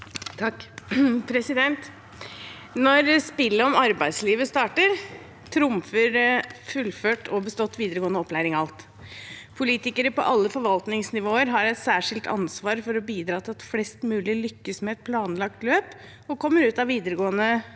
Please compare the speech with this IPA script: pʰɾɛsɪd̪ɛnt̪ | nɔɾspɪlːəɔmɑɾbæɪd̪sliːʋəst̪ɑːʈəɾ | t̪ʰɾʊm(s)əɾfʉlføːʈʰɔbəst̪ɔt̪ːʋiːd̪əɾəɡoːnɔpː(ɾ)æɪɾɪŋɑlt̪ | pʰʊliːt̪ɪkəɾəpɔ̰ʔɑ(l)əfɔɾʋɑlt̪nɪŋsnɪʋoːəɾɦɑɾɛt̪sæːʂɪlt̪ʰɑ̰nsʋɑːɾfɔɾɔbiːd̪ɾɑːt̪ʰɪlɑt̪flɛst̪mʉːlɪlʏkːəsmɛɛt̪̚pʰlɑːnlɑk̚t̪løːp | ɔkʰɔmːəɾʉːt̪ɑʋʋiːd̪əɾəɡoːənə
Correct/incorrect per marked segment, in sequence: incorrect, incorrect, incorrect

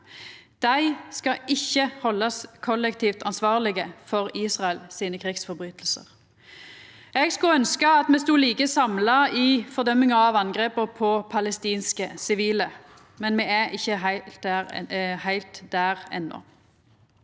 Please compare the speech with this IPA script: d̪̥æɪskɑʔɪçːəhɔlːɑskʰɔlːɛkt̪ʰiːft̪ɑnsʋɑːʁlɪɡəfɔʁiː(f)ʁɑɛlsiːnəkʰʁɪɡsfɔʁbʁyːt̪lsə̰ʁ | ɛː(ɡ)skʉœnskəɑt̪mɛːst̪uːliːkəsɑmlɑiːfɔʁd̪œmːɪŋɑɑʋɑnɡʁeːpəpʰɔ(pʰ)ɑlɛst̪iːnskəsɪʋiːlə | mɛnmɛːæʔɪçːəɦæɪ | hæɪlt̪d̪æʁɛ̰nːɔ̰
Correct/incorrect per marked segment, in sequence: incorrect, correct, correct

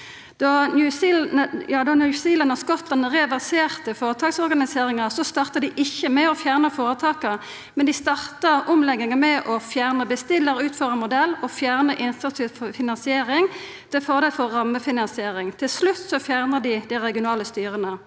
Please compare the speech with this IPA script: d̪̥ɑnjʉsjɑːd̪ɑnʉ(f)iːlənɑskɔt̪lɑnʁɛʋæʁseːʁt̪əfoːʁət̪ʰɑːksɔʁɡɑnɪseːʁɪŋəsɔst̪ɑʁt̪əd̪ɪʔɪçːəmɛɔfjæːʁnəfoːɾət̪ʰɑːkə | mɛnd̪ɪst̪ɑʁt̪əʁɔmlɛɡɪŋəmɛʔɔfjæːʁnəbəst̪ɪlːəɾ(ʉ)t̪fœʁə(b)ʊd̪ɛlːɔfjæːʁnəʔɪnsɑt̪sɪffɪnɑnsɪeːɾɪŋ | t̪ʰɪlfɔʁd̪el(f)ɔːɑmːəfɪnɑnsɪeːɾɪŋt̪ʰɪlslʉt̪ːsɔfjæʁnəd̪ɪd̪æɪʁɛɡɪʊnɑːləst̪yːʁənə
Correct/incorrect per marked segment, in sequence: incorrect, incorrect, incorrect, correct

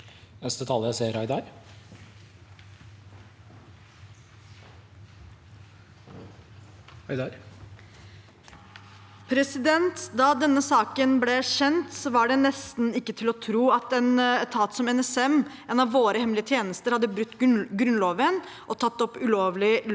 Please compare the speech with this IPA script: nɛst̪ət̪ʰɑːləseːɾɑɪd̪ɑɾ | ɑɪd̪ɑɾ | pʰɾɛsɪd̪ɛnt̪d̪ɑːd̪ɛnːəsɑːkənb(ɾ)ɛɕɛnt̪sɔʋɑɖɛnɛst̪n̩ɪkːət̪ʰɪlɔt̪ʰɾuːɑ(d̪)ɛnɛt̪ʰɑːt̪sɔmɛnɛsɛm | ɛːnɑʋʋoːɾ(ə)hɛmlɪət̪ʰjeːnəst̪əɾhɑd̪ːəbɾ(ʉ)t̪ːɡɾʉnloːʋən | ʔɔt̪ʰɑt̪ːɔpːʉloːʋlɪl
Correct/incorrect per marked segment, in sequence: incorrect, incorrect, correct, correct

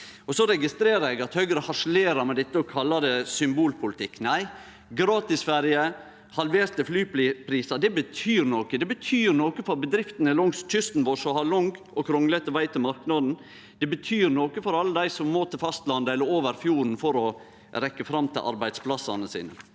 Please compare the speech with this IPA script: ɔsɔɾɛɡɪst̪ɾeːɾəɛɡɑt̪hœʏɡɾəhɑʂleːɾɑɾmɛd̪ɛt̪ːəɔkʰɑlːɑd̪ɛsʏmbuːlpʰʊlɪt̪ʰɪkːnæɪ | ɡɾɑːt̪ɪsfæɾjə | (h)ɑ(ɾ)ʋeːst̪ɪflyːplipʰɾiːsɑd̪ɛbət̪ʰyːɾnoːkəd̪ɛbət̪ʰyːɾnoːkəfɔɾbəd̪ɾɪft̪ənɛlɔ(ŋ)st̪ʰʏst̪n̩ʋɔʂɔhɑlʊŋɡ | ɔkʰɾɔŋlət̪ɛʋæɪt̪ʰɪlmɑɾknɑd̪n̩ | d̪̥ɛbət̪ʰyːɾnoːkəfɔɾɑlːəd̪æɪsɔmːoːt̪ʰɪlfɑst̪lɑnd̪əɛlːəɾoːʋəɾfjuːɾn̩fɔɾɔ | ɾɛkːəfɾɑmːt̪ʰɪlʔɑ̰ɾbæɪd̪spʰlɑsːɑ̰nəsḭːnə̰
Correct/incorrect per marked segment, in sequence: correct, incorrect, correct

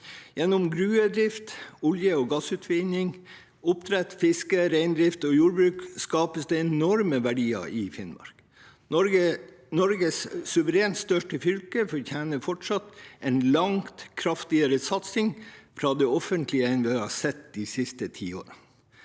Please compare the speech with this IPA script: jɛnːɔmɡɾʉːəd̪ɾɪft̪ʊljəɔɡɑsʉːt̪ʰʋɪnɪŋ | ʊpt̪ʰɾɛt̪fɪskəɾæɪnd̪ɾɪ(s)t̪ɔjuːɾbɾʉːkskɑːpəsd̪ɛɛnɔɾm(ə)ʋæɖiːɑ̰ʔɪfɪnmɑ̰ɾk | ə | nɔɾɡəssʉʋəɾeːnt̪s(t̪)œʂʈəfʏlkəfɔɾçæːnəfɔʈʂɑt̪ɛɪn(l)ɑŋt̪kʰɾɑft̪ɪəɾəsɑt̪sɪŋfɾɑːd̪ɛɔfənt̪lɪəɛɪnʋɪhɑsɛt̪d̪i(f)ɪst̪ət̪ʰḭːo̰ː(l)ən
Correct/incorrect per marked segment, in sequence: incorrect, correct, correct, correct, incorrect, incorrect

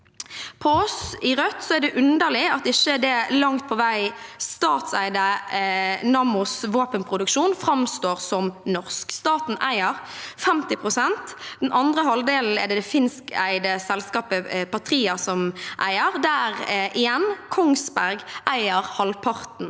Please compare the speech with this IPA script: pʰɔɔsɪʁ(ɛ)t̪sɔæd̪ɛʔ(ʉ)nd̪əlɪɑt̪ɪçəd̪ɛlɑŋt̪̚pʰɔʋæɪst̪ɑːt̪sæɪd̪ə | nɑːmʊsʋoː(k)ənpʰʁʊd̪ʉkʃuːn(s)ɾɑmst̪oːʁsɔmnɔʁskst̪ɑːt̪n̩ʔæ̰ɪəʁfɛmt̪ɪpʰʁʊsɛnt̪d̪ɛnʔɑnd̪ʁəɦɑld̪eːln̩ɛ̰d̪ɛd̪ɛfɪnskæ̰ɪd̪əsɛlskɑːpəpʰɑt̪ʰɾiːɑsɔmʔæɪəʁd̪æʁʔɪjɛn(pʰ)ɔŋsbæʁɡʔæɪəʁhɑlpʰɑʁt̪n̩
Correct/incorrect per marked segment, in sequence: incorrect, correct, incorrect, incorrect, incorrect

